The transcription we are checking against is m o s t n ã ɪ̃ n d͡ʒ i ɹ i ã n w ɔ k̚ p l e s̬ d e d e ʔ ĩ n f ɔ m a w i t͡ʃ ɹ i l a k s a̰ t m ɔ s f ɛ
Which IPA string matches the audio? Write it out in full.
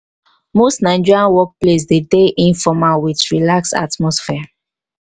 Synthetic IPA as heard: m o s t n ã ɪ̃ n d͡ʒ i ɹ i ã n w ɔ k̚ p l e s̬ d e d e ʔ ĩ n f ɔ m a w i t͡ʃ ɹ i l a k s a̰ t m ɔ s f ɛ